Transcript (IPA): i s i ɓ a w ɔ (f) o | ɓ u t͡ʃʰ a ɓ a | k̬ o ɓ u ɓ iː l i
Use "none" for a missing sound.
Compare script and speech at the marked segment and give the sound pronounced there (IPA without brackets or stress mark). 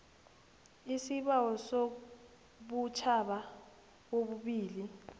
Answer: s